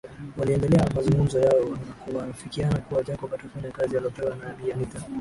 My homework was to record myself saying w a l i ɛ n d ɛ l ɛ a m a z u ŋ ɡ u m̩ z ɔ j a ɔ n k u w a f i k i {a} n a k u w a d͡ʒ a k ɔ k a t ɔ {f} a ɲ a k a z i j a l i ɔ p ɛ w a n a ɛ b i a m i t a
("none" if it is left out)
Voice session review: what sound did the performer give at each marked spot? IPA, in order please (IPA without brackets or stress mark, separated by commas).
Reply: a, f